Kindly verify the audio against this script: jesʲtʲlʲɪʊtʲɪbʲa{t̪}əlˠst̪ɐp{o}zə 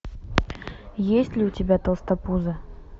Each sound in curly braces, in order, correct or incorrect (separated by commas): correct, incorrect